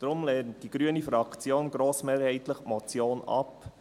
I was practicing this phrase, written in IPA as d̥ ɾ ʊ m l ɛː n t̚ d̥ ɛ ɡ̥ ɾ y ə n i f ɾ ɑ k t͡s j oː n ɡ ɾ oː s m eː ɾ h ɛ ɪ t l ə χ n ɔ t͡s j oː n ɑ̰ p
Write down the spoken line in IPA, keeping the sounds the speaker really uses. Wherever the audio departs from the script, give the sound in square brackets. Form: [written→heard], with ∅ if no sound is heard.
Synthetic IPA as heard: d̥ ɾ ʊ m l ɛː n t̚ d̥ [ɛ→i] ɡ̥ ɾ y ə n i f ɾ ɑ k t͡s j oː n ɡ ɾ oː s m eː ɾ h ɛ ɪ t l ə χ [n→m] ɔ t͡s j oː n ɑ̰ p